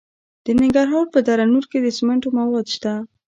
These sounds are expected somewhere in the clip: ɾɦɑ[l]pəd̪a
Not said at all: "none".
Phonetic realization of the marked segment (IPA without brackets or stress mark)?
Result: ɾ